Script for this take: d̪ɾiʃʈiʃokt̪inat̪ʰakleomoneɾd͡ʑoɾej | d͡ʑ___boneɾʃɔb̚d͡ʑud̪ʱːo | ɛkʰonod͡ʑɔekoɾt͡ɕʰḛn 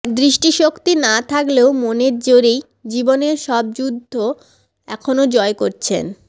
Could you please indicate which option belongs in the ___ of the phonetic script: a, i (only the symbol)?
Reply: i